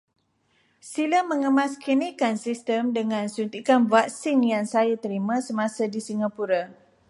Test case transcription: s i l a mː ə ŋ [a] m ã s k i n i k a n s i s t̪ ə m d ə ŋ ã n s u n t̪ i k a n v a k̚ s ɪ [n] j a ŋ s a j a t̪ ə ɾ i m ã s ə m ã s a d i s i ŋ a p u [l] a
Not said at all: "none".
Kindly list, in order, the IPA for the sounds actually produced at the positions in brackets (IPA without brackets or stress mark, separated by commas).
ə, ŋ, ɾ